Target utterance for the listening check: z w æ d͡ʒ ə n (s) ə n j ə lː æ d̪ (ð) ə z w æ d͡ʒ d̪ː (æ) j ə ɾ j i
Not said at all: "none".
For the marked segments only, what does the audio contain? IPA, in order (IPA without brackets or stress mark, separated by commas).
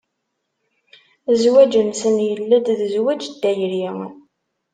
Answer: s, ð, æ